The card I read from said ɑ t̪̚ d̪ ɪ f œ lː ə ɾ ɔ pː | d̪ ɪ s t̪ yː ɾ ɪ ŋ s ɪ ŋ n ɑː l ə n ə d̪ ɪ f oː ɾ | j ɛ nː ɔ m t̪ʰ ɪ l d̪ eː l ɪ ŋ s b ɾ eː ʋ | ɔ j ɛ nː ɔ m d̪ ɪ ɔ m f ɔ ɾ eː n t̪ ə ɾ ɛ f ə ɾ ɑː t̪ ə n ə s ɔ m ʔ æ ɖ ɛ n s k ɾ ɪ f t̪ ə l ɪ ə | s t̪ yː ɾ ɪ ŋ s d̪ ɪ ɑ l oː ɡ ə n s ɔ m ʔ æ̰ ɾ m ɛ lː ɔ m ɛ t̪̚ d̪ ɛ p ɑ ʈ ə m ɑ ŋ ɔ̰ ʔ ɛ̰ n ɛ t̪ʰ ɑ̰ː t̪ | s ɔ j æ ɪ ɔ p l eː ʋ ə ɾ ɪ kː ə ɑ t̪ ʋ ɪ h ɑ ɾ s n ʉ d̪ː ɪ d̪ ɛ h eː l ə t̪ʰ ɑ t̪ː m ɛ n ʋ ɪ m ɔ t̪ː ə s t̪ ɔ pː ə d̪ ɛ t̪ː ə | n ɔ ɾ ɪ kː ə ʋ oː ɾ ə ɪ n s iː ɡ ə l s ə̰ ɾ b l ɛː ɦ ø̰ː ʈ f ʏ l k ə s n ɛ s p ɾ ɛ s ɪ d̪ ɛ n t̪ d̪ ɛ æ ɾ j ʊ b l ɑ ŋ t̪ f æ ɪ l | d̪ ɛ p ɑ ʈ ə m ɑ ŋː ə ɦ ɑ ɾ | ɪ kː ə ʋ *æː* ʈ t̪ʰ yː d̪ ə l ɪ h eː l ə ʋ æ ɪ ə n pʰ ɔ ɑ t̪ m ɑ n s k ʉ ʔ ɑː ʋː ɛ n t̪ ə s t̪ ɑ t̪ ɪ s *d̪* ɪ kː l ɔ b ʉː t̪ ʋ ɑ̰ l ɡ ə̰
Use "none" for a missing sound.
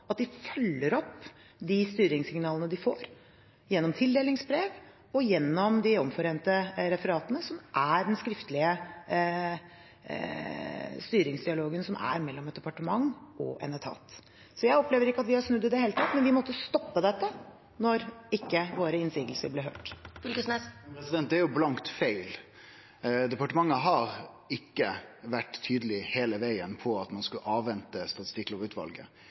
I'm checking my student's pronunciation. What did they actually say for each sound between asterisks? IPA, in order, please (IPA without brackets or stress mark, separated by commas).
æ, t̪